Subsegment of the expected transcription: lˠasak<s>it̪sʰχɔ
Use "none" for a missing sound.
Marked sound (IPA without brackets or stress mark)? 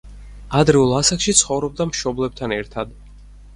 ʃ